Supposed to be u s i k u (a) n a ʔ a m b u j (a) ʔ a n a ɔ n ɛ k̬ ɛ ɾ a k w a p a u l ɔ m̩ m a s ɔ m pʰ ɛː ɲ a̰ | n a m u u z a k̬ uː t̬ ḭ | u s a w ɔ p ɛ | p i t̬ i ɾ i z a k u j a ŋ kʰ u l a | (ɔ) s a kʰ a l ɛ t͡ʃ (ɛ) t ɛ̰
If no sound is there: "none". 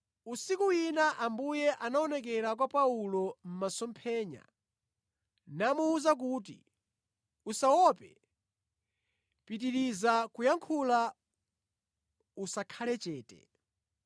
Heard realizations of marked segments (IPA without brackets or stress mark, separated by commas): i, ɛ, u, ɛː